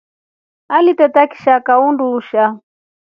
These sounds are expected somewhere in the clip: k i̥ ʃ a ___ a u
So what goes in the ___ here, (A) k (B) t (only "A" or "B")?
A